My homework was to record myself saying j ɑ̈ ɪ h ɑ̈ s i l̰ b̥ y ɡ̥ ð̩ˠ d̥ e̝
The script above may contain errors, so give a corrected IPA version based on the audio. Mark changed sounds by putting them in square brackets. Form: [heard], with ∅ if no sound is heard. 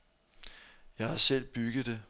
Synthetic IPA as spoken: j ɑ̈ ɪ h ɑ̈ s [e] l̰ b̥ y ɡ̥ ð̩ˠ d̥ e̝